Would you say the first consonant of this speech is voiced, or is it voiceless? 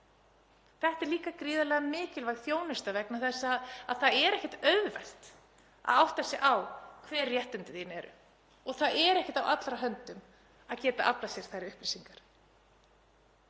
voiceless